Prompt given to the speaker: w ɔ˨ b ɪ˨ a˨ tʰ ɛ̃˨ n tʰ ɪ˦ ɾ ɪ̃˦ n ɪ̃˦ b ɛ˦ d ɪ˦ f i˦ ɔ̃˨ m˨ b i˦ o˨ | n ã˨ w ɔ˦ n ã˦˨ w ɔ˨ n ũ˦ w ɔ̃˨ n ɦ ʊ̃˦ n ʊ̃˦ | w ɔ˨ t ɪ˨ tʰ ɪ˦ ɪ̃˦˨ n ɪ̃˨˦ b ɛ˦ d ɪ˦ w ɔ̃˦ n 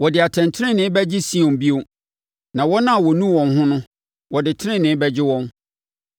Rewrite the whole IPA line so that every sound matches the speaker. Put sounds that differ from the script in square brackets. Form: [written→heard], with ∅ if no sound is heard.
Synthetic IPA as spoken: w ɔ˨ [b→d] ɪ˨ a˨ tʰ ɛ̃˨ n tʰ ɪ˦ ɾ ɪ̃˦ n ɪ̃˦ b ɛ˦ [d→d͡ʑ] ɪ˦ [f→s] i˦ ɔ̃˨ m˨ b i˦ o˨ | n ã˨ w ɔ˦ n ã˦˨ w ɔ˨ n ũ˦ w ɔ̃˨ n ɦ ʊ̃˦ n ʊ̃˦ | w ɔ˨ [t→d] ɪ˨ tʰ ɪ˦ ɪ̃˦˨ n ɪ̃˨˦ b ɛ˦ [d→d͡ʑ] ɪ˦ w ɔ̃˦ n